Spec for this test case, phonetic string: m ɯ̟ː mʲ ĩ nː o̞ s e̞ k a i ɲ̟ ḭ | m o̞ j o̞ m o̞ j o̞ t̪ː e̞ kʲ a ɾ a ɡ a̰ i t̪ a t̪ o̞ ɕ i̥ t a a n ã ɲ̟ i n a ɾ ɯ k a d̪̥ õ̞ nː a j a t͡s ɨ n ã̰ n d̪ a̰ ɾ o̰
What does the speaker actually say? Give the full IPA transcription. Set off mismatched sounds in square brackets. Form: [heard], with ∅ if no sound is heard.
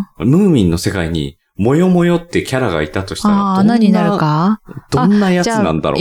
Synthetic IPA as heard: m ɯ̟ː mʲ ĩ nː o̞ s e̞ k a i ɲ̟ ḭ | m o̞ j o̞ m o̞ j o̞ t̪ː e̞ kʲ a ɾ a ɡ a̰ i t̪ a t̪ o̞ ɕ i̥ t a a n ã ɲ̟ i n a ɾ ɯ k a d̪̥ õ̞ nː a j a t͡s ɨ n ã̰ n d̪ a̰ ɾ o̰